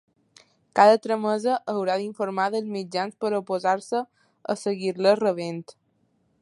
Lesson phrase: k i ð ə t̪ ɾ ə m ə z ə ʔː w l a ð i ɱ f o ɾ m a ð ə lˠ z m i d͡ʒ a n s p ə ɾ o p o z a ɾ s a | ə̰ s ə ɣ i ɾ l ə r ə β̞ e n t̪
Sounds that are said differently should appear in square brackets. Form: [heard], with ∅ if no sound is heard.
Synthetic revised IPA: k [a] ð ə t̪ ɾ ə m ə z ə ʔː w [ɾ] a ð i ɱ f o ɾ m a ð ə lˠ z m i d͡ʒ a n s p ə ɾ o p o z a ɾ s [ə] | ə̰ s ə ɣ i ɾ l ə r ə β̞ e n t̪